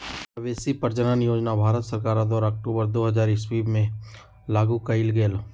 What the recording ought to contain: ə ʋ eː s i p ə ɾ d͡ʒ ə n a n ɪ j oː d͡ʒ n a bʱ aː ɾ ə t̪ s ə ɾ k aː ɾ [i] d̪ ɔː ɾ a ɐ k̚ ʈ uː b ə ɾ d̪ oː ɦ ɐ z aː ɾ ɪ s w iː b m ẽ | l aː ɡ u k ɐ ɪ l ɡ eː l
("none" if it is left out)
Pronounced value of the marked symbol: a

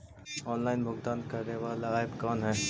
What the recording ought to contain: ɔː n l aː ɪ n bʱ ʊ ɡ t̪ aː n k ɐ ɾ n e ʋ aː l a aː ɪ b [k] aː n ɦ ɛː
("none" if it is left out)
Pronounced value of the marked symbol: k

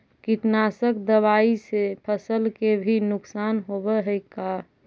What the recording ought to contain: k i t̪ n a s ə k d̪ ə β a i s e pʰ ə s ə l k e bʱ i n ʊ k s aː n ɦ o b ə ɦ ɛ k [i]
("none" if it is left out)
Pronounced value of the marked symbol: a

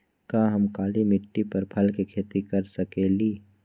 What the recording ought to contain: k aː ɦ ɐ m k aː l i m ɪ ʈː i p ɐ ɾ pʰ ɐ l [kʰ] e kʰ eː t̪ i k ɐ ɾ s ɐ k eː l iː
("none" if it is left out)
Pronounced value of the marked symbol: k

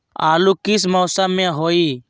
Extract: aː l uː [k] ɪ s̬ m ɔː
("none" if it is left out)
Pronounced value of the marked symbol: k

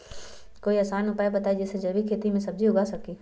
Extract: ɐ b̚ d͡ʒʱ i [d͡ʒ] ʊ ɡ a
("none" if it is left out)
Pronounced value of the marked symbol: none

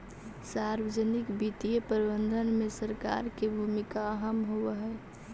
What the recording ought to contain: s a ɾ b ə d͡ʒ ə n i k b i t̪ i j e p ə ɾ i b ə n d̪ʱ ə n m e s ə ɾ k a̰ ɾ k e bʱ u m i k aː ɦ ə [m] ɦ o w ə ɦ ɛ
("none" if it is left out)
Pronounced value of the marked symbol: m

